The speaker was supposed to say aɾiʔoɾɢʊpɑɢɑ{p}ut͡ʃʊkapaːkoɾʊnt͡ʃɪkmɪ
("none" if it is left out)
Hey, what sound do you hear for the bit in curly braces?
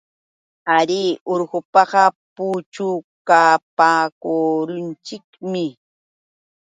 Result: p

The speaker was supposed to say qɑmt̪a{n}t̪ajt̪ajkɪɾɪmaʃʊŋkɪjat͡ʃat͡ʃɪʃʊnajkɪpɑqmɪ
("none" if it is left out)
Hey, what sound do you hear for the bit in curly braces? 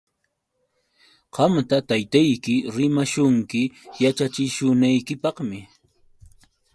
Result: none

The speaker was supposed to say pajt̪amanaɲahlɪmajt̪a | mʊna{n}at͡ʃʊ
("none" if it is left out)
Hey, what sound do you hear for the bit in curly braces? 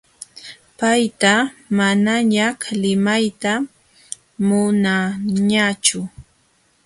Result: ɲ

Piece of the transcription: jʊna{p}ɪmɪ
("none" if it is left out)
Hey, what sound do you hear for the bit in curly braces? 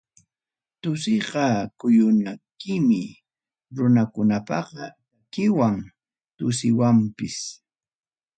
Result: k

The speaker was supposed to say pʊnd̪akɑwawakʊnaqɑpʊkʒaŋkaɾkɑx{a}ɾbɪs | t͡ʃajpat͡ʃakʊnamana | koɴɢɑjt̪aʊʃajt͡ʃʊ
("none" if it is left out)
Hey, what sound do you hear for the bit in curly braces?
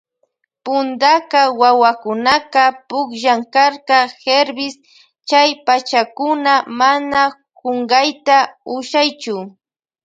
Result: e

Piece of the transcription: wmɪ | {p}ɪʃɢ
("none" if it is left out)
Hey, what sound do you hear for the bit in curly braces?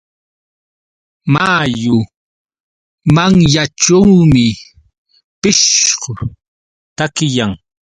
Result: p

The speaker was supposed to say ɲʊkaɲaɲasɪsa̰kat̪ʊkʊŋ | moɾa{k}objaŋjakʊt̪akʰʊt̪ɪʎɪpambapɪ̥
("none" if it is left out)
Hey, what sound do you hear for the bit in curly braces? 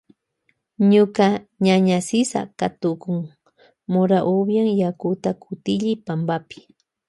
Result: ʔ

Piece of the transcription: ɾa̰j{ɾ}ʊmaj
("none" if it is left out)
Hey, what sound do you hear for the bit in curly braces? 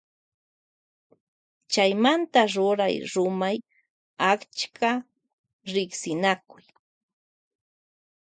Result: ɾ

